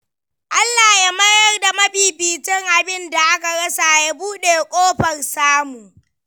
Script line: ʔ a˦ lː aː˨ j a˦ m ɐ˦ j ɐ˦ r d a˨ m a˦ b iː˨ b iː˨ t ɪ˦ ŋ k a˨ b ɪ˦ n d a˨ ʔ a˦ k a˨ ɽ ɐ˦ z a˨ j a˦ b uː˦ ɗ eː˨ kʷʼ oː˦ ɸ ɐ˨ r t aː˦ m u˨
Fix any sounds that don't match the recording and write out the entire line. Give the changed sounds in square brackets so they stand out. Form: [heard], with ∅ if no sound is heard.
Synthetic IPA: ʔ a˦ lː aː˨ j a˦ m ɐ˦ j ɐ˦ r d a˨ m [ɐ˦] b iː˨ b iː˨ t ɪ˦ ŋ [ʔ] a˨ b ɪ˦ n d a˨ ʔ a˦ k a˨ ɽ ɐ˦ [s] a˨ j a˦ b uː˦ ɗ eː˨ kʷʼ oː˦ ɸ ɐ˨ r [s] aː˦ m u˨

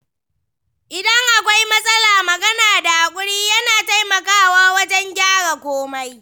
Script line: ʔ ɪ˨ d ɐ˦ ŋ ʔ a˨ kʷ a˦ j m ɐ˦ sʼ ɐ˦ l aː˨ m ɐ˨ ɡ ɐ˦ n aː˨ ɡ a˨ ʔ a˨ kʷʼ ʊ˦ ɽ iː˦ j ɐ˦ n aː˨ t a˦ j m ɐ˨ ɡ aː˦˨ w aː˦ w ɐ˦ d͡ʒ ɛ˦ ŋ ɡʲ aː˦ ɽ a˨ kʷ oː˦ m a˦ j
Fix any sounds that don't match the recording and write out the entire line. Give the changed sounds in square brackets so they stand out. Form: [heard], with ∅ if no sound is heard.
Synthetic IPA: ʔ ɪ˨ d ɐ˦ ŋ ʔ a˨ kʷ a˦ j m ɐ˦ sʼ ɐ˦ l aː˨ m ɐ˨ ɡ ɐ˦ n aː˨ [d] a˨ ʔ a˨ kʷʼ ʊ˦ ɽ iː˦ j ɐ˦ n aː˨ t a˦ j m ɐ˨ [k] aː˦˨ w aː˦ w ɐ˦ d͡ʒ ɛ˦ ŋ ɡʲ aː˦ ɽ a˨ kʷ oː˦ m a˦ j

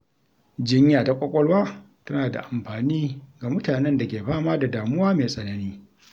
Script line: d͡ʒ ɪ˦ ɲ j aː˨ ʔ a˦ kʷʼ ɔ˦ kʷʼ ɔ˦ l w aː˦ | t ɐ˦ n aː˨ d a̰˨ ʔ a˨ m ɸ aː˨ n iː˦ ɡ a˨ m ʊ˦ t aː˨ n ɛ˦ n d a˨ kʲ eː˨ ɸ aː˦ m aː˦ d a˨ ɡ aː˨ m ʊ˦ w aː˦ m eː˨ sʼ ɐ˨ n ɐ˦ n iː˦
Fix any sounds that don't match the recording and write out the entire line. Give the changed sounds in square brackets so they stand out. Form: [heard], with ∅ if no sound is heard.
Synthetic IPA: d͡ʒ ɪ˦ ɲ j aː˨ [t] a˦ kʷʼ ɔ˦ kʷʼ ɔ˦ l w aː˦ | t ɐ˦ n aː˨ d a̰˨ ʔ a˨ m ɸ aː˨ n iː˦ ɡ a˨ m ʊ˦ t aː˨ n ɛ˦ n d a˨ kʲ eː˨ ɸ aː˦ m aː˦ d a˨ [d] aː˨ m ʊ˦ w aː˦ m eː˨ sʼ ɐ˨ n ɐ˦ n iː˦

